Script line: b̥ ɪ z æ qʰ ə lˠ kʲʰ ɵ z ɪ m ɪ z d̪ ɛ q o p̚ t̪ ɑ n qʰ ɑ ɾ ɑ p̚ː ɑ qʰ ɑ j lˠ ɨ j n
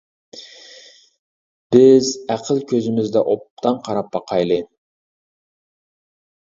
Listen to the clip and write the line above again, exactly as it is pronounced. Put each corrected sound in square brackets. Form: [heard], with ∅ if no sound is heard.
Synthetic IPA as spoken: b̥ ɪ z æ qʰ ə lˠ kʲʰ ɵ z ɪ m ɪ z d̪ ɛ [ʔ] o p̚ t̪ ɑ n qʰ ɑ ɾ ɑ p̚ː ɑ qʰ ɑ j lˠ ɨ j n